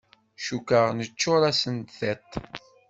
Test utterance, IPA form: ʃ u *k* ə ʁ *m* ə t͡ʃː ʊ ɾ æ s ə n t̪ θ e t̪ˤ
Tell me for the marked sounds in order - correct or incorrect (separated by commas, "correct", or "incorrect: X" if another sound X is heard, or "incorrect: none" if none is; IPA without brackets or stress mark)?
correct, incorrect: n